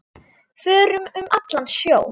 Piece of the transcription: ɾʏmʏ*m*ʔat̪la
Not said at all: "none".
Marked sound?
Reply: m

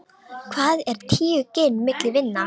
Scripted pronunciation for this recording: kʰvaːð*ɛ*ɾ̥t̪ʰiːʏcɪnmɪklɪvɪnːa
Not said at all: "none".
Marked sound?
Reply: ɛ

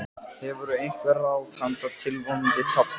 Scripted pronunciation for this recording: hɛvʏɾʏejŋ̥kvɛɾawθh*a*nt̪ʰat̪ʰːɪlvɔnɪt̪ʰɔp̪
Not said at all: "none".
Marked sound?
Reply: a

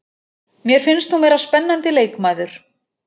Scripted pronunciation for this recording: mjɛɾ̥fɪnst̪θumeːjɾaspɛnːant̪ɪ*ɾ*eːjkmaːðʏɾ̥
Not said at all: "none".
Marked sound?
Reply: l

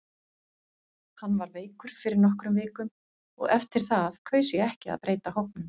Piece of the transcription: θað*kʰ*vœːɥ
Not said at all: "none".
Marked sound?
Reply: kʰ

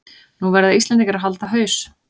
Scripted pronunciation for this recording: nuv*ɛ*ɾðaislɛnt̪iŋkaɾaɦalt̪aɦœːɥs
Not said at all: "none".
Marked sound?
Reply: ɛ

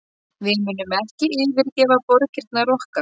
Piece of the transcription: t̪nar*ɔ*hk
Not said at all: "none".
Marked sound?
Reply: ɔ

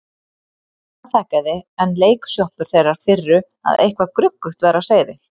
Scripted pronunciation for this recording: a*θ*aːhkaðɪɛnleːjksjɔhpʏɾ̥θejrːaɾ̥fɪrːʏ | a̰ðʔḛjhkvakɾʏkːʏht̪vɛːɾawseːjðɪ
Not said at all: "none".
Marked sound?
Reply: θ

